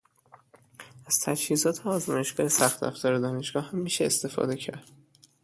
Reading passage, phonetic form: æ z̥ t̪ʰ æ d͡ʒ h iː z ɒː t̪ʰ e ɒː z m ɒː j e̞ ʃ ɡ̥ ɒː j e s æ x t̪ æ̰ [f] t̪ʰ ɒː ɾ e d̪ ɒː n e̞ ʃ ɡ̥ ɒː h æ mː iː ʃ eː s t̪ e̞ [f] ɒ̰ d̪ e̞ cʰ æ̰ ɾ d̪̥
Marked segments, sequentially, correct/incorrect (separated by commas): correct, correct